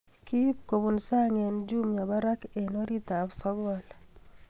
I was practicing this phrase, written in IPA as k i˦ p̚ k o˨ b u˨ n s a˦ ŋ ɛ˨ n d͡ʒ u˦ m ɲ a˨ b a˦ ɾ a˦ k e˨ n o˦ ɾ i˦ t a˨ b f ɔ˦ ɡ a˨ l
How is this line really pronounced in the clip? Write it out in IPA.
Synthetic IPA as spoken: k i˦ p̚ k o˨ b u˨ n s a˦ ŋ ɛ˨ n d͡ʒ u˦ m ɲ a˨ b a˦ ɾ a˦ k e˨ n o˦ ɾ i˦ t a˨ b s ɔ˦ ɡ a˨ l